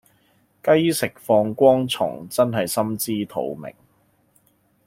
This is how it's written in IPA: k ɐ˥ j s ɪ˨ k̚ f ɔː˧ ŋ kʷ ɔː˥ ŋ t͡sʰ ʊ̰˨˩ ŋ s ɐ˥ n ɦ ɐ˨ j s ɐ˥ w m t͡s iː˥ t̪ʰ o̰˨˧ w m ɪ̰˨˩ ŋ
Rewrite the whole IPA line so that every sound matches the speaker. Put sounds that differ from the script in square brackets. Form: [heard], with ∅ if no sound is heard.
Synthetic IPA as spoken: k ɐ˥ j s ɪ˨ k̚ f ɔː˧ ŋ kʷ ɔː˥ ŋ t͡sʰ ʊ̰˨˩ ŋ [t͡s] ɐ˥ n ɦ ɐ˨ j s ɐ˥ [∅] m t͡s iː˥ t̪ʰ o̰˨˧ w m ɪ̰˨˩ ŋ